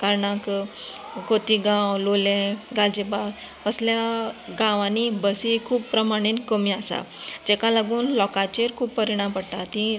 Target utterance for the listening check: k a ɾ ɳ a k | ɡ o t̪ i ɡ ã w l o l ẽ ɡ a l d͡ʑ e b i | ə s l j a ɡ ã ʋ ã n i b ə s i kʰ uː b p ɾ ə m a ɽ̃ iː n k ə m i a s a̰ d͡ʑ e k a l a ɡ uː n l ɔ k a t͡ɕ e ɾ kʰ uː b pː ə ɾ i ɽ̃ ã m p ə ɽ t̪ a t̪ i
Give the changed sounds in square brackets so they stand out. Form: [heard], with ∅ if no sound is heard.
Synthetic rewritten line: k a ɾ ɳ a k | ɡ o t̪ i ɡ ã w l o l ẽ ɡ a l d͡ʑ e b [a] | ə s l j a ɡ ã ʋ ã n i b ə s i kʰ uː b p ɾ ə m a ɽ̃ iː n k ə m i a s a̰ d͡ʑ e k a l a ɡ uː n l ɔ k a t͡ɕ e ɾ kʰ uː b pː ə ɾ i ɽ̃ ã m p ə ɽ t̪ a t̪ i